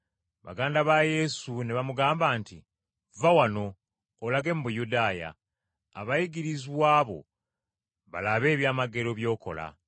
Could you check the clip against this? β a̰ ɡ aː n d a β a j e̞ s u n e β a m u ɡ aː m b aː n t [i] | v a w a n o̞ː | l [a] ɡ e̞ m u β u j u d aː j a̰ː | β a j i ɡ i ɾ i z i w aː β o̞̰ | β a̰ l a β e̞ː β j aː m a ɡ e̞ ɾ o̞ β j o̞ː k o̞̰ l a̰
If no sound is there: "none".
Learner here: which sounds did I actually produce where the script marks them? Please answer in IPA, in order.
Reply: i, a

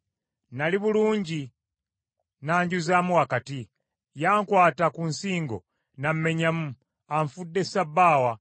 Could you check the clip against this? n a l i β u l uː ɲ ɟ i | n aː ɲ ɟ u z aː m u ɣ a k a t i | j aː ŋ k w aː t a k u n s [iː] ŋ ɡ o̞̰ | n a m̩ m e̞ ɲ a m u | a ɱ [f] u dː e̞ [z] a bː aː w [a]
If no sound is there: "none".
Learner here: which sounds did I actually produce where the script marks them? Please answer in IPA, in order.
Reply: iː, f, s, a

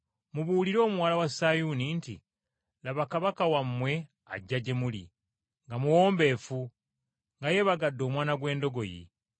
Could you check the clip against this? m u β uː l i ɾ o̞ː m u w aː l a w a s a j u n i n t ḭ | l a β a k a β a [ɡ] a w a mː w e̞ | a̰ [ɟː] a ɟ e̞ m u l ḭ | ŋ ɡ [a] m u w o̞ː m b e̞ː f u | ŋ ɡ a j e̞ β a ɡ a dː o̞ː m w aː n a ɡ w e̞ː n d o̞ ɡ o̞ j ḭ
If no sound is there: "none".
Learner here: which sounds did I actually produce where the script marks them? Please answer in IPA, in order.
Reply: k, ɟː, a

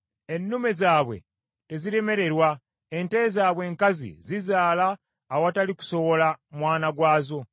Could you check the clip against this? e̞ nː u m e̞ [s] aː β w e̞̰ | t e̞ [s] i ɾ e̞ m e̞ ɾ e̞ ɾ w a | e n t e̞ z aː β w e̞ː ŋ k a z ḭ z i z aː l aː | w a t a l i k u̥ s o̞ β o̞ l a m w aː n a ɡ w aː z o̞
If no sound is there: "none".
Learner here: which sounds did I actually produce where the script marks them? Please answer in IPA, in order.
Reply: z, z

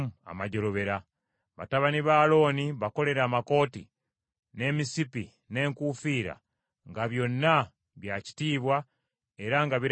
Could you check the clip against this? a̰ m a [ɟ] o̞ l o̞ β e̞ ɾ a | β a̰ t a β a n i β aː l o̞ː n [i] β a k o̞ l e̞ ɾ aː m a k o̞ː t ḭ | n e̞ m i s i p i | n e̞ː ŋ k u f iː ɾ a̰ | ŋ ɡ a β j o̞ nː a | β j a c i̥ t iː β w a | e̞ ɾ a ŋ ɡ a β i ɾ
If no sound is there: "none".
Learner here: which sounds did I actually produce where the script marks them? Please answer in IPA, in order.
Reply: ɟ, i

